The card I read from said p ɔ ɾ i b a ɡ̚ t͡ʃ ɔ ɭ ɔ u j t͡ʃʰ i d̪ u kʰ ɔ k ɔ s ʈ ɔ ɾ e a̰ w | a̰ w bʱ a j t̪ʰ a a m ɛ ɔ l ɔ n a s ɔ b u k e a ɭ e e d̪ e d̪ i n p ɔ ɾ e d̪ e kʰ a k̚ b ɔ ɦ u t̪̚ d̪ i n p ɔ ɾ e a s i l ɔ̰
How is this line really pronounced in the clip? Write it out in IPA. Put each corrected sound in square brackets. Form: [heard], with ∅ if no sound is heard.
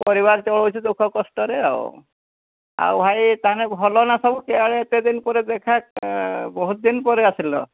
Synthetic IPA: p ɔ ɾ i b a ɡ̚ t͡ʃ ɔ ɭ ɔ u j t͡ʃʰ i d̪ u kʰ ɔ k ɔ s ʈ ɔ ɾ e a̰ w | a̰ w bʱ a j [t̪] a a [n] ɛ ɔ l ɔ n a s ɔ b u k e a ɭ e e [t̪] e d̪ i n p ɔ ɾ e d̪ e kʰ a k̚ b ɔ ɦ u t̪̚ d̪ i n p ɔ ɾ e a s i l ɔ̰